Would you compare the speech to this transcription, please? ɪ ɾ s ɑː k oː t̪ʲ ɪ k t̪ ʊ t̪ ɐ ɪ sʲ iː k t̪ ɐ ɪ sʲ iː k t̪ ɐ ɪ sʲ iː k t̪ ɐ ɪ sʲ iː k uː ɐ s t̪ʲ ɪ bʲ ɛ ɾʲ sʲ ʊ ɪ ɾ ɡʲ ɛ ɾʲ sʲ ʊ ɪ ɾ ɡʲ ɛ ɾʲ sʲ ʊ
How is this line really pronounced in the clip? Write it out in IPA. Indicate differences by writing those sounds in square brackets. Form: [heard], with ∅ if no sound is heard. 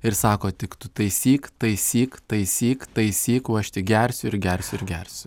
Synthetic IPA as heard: ɪ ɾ s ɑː k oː t̪ʲ ɪ k t̪ ʊ t̪ ɐ ɪ sʲ iː k t̪ ɐ ɪ sʲ iː k t̪ ɐ ɪ sʲ iː k t̪ ɐ ɪ sʲ iː k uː ɐ [ʃ] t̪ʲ ɪ [ɡʲ] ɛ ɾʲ sʲ ʊ ɪ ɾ ɡʲ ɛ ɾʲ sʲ ʊ ɪ ɾ ɡʲ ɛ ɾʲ sʲ ʊ